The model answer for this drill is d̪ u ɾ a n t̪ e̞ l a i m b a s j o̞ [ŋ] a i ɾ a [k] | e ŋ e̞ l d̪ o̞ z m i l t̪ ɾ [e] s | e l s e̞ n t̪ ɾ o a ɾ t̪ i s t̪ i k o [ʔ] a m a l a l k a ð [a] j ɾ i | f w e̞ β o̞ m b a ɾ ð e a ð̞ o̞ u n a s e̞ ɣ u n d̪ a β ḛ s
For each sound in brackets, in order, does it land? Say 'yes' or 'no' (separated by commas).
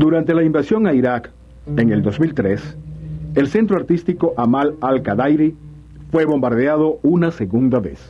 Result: yes, yes, yes, yes, yes